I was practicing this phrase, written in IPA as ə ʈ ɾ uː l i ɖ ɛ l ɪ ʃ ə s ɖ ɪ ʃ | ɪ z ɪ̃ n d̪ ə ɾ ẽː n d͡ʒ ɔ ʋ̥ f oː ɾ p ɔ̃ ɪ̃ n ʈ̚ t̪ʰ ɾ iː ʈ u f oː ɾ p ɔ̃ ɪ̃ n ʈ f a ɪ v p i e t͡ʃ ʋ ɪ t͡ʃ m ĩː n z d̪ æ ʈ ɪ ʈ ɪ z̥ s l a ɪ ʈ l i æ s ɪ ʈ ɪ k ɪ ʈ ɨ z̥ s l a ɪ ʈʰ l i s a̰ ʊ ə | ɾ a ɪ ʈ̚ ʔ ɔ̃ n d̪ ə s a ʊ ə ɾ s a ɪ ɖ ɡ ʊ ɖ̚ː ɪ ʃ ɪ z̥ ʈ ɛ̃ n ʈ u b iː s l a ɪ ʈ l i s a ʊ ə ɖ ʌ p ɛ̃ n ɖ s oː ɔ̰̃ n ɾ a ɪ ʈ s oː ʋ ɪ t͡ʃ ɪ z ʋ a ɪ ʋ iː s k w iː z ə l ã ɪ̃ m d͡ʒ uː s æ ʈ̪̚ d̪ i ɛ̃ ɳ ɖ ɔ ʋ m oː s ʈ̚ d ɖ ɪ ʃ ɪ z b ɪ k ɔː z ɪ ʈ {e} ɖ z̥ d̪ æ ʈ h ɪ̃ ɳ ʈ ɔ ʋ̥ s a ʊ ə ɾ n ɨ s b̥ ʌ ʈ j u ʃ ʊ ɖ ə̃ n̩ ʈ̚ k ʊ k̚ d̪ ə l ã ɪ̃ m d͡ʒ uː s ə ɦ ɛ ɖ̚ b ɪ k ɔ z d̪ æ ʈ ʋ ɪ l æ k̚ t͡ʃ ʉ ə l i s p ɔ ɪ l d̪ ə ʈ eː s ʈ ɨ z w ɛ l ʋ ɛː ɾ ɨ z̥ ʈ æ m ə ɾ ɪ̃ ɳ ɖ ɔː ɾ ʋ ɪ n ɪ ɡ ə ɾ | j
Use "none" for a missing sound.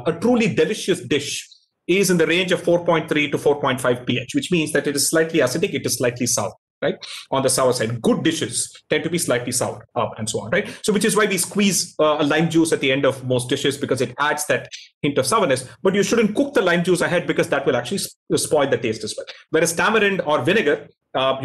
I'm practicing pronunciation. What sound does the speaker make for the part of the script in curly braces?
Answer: æ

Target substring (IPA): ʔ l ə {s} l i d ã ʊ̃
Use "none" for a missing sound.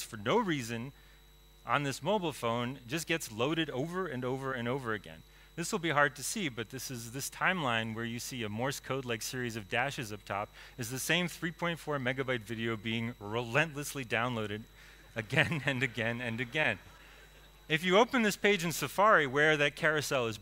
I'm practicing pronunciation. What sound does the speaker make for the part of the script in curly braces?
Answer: s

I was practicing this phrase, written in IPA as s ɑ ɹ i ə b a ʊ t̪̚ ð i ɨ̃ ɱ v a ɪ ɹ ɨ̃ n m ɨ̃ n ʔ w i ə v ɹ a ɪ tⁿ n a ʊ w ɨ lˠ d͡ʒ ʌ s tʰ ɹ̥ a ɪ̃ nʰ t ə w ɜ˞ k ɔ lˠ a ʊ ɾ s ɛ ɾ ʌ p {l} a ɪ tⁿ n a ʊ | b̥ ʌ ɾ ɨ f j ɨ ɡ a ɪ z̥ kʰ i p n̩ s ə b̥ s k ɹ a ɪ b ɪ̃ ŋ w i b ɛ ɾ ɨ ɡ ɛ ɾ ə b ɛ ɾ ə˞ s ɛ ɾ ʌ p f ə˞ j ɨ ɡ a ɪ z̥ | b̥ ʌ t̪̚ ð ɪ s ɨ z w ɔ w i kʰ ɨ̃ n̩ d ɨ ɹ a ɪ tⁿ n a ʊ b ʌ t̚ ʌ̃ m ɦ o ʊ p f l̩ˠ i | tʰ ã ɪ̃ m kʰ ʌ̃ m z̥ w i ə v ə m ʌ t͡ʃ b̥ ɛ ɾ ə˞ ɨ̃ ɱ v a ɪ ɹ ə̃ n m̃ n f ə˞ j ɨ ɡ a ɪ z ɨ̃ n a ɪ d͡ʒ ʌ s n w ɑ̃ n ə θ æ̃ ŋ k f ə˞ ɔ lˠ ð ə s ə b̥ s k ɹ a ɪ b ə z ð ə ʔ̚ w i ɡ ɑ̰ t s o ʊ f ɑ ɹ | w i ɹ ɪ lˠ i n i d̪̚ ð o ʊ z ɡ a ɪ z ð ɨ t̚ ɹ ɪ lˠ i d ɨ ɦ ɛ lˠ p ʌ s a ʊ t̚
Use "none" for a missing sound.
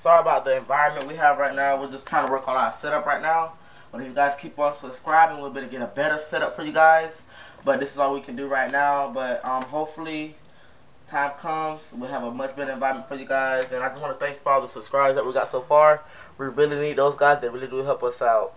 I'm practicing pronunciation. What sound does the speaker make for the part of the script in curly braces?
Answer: ɹ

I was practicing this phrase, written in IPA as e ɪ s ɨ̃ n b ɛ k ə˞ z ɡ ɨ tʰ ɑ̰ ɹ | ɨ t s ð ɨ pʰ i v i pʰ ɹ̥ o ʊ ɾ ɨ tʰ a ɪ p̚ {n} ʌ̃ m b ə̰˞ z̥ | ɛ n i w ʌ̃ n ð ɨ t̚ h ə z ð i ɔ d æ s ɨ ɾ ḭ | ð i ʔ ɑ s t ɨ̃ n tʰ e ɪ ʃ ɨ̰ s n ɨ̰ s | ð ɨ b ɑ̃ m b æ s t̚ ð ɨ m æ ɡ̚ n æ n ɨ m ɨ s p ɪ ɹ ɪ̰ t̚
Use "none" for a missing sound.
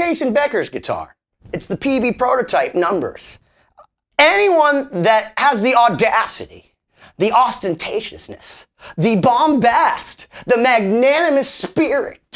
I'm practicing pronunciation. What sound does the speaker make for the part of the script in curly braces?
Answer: n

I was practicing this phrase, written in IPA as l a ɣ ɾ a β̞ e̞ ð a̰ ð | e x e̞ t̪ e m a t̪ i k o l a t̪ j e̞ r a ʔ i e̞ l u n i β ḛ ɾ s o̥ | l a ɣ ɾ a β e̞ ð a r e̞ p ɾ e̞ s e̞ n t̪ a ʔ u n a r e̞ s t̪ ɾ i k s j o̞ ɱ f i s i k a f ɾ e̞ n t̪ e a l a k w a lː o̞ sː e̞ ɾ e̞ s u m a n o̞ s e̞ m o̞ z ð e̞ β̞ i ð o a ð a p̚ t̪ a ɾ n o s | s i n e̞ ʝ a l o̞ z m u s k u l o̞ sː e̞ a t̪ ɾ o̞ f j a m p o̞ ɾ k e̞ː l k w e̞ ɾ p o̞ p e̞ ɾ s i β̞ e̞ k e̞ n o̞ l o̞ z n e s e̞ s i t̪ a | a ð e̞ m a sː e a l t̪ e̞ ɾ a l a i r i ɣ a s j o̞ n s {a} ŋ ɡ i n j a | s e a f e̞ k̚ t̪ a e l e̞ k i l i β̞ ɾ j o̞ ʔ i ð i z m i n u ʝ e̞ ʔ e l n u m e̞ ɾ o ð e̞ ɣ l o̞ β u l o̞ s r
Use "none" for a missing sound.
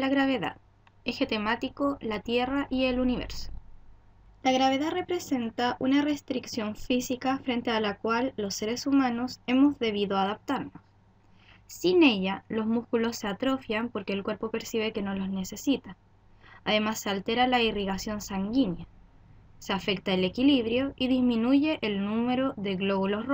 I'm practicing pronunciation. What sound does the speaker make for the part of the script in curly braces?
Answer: a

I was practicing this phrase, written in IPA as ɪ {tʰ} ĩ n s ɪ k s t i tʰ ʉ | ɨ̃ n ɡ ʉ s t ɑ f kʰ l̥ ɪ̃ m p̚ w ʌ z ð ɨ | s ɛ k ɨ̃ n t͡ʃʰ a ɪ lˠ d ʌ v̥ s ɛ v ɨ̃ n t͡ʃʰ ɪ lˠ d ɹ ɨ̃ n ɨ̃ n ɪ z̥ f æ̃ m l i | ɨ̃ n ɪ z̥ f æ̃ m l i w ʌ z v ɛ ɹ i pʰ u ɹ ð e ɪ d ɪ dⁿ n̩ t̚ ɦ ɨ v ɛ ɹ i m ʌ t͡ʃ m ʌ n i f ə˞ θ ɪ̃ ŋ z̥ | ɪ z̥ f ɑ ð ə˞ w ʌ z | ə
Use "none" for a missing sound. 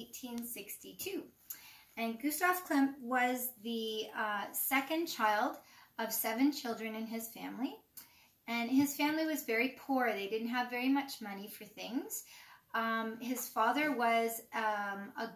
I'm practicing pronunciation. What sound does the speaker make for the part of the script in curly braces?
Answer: tʰ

